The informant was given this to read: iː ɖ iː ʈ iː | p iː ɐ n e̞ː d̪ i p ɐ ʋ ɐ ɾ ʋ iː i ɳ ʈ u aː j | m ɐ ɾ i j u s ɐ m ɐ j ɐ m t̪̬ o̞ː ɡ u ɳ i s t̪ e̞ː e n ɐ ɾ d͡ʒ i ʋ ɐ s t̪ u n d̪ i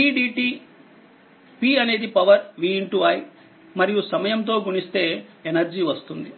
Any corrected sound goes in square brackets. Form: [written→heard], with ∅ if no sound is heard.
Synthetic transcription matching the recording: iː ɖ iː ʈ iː | p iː ɐ n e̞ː d̪ i p ɐ ʋ ɐ ɾ ʋ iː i ɳ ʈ u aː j | m ɐ ɾ i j u s ɐ m ɐ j ɐ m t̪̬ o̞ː ɡ u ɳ i s t̪ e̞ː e n ɐ ɾ d͡ʒ i ʋ ɐ s t̪ u n d̪ i